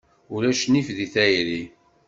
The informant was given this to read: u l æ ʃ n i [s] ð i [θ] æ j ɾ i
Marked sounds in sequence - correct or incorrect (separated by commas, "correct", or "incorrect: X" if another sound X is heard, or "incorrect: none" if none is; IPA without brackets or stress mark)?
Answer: incorrect: f, correct